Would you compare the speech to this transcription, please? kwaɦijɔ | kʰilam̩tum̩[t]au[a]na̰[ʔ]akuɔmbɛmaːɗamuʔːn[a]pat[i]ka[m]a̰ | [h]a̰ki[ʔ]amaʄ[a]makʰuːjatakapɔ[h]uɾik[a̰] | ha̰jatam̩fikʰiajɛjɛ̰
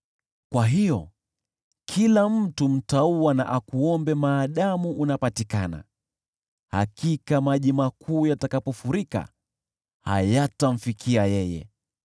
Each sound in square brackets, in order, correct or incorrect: correct, correct, correct, correct, correct, incorrect: n, correct, incorrect: k, incorrect: i, incorrect: f, correct

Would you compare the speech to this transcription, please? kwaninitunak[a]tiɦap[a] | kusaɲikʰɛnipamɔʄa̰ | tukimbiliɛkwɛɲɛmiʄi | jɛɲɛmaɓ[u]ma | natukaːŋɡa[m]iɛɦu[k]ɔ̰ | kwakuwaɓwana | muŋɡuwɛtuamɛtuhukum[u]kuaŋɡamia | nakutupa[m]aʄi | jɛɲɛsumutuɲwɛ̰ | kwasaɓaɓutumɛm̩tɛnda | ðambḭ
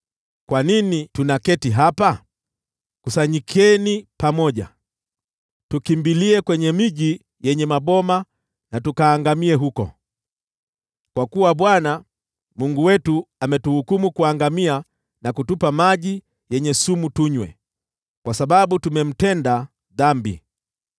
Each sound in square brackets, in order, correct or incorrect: incorrect: ɛ, correct, incorrect: ɔ, correct, correct, correct, correct

